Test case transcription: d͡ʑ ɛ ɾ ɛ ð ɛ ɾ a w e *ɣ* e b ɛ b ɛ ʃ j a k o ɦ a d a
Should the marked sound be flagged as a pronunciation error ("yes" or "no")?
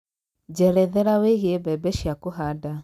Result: no